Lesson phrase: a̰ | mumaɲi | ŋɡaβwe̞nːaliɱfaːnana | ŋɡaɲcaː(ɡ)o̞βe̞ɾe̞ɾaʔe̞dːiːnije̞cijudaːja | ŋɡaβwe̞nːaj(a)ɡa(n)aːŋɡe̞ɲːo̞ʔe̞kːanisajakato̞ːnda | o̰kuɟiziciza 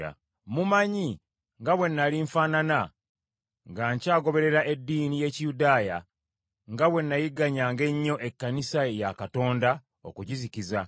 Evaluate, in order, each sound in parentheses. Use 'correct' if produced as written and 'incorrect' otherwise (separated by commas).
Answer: correct, incorrect, incorrect